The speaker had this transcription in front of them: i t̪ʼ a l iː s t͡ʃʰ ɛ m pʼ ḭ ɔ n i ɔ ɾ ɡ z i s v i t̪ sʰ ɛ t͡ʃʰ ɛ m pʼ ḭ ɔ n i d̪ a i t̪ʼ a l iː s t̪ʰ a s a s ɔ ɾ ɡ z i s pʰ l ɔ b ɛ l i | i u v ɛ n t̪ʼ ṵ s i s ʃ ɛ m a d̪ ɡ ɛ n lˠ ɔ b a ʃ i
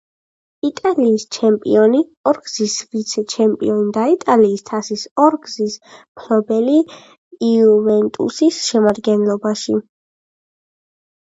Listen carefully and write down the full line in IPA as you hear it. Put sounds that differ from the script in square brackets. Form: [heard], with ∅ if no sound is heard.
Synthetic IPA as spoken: i t̪ʼ a l iː s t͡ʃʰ ɛ m pʼ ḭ ɔ n i ɔ ɾ ɡ z i s v i t̪ sʰ ɛ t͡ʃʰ ɛ m pʼ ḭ ɔ n i d̪ a i t̪ʼ a l iː s t̪ʰ a s [i] s ɔ ɾ ɡ z i s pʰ l ɔ b ɛ l i | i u v ɛ n t̪ʼ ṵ s i s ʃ ɛ m a d̪ ɡ ɛ n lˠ ɔ b a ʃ i